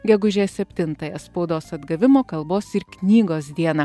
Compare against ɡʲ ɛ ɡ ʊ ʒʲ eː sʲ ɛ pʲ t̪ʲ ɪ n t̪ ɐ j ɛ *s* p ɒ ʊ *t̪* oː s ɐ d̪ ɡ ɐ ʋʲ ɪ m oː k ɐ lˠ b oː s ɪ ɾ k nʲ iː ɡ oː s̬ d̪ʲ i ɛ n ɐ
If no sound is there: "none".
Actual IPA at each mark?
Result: s, d̪

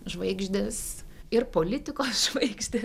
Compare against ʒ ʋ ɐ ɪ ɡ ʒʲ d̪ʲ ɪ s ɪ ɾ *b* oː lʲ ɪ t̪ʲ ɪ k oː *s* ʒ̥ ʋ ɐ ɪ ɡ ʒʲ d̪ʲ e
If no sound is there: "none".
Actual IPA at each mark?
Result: p, s

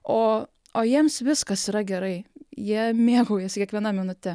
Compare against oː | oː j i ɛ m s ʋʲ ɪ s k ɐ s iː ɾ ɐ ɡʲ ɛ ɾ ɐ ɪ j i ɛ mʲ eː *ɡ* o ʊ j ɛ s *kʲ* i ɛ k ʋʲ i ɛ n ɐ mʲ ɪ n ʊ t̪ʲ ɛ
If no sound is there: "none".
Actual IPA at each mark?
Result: ɡ, kʲ

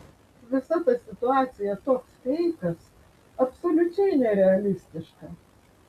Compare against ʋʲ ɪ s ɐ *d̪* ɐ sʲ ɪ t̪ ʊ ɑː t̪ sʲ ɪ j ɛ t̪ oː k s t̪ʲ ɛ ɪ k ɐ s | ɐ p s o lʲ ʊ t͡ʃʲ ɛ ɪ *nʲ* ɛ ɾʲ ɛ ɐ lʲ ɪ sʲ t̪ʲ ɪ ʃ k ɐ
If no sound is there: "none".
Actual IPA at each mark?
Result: t̪, nʲ

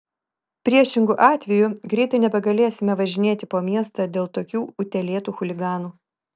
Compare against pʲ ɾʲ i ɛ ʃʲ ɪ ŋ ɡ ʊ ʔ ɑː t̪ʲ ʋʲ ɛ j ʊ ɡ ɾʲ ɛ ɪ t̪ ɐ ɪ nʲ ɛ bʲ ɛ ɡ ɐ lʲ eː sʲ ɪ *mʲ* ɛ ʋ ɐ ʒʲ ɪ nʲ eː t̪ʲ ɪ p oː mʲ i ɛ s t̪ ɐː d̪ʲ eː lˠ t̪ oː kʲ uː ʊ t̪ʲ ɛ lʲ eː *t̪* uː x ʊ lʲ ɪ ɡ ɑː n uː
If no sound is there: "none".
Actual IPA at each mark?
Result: mʲ, t̪

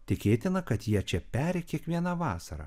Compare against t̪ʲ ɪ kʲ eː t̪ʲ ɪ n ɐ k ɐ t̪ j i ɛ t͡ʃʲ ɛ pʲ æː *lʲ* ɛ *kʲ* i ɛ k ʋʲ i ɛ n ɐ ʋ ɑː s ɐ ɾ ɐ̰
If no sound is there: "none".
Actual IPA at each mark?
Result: ɾʲ, kʲ

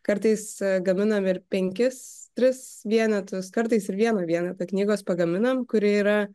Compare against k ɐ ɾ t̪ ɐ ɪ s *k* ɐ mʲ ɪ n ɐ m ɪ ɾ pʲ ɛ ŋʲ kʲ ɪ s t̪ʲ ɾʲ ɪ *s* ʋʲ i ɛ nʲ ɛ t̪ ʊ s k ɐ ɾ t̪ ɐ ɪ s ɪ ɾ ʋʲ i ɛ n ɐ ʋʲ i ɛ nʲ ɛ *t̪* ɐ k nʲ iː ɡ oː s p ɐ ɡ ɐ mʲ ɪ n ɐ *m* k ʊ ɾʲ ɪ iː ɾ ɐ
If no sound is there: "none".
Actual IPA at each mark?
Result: ɡ, s, t̪, m

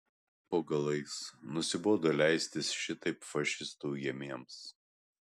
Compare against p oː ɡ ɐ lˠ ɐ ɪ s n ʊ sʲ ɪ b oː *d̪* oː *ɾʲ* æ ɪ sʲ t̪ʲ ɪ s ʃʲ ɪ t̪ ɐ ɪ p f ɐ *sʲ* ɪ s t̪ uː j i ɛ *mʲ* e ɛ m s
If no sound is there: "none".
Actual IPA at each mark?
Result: d̪, lʲ, ʃʲ, mʲ

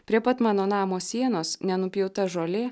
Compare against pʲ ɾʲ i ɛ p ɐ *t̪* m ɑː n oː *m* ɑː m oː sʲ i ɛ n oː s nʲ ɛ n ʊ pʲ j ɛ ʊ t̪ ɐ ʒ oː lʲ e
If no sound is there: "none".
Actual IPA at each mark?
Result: t̪, n

